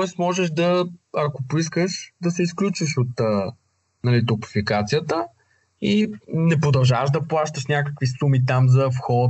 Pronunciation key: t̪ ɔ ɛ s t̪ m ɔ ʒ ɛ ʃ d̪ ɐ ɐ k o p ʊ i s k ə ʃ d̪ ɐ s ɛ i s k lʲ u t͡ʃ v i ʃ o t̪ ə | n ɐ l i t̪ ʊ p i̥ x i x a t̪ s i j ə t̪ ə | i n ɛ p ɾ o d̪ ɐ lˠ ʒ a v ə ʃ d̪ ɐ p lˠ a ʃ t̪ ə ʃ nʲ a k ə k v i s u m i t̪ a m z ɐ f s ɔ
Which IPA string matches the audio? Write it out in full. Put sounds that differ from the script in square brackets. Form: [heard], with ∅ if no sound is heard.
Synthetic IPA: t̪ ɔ ɛ s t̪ m ɔ ʒ ɛ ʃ d̪ ɐ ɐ k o p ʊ i s k ə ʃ d̪ ɐ s ɛ i s k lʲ u t͡ʃ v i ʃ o t̪ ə | n ɐ l i t̪ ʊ p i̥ [f] i [k] a t̪ s i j ə t̪ ə | i n ɛ p ɾ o d̪ ɐ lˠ ʒ a v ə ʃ d̪ ɐ p lˠ a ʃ t̪ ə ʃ nʲ a k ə k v i s u m i t̪ a m z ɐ f [x] ɔ